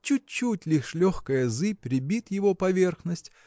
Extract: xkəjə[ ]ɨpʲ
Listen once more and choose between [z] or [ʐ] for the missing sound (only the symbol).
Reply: z